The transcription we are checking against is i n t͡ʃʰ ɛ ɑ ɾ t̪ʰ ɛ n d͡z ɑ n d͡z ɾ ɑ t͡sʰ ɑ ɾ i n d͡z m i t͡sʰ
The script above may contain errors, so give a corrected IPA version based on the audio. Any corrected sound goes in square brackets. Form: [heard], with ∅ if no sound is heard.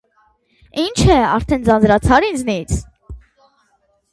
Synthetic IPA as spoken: i n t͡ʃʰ ɛ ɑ ɾ t̪ʰ ɛ n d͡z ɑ n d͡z ɾ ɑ t͡sʰ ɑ ɾ i n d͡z [n] i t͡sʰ